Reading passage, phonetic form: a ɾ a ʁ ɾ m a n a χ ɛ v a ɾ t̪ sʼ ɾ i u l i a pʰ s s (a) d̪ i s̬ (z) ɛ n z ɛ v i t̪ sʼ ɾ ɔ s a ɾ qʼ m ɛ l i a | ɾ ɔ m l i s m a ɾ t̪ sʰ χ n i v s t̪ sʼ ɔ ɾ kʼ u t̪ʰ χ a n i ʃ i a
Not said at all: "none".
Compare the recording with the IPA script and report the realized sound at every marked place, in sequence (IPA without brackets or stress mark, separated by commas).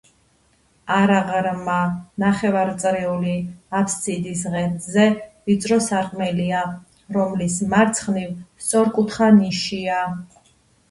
i, ʁ